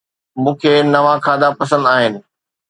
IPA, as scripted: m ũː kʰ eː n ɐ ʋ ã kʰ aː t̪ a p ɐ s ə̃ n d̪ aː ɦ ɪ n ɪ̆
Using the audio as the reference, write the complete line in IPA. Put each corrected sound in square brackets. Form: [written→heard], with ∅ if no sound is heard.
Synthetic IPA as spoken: m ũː kʰ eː n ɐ ʋ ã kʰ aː [t̪→d̪] a p ɐ s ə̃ n d̪ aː ɦ ɪ n ɪ̆